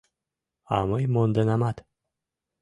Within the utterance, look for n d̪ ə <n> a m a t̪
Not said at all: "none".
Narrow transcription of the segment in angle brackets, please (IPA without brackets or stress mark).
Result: n